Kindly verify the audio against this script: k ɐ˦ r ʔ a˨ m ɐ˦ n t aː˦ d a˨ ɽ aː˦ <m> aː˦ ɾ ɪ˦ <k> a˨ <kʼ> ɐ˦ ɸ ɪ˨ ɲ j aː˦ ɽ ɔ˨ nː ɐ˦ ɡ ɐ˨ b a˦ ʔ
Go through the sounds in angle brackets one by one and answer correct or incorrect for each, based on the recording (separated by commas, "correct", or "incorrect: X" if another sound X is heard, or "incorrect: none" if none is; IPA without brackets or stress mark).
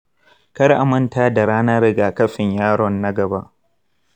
incorrect: n, incorrect: ɡ, incorrect: k